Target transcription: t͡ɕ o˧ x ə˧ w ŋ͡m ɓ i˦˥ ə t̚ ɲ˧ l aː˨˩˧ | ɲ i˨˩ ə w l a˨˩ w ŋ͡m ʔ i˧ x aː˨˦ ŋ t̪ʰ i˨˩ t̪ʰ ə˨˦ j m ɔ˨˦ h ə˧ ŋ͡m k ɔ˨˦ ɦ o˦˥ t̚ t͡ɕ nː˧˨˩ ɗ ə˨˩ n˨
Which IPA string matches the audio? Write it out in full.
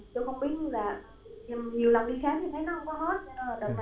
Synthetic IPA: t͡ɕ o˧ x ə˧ w ŋ͡m ɓ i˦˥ ə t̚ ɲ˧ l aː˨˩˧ | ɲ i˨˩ ə w l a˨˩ w ŋ͡m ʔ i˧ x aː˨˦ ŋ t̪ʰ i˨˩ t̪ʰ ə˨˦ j n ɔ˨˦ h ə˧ ŋ͡m k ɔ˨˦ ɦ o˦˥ t̚ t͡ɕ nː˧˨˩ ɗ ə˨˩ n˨